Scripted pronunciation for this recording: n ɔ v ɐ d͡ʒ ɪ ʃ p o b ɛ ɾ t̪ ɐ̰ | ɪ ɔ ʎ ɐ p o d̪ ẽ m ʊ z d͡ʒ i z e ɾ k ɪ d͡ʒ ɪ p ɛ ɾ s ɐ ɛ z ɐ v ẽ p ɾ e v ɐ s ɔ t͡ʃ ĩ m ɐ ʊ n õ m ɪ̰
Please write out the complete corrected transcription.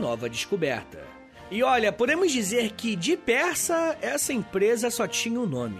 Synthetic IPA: n ɔ v ɐ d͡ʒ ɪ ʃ k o b ɛ ɾ t̪ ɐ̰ | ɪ ɔ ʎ ɐ p o d̪ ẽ m ʊ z d͡ʒ i z e ɾ k ɪ d͡ʒ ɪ p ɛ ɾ s ɐ ɛ s ɐ ẽ p ɾ e z ɐ s ɔ t͡ʃ ĩ ɲ ɐ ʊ n õ m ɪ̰